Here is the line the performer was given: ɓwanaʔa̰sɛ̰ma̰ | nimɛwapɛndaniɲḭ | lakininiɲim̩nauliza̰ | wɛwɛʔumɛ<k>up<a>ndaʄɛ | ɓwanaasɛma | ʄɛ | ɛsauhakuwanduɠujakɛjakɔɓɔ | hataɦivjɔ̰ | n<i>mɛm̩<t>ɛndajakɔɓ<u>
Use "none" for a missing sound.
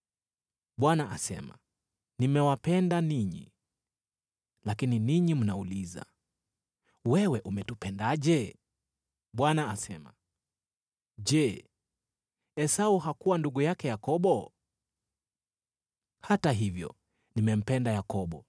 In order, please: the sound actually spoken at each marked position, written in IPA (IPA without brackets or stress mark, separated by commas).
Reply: t, ɛ, i, p, ɔ